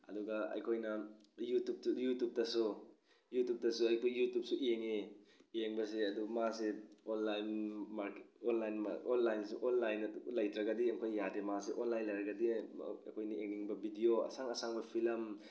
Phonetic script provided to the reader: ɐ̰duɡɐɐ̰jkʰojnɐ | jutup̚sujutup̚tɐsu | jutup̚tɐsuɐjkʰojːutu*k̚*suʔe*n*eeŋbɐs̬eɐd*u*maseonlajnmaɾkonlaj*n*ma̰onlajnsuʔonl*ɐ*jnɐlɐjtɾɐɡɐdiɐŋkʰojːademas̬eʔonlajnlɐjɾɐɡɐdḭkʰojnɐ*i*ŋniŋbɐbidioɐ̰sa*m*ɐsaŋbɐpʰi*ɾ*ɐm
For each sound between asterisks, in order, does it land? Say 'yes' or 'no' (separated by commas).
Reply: no, no, yes, yes, no, no, no, no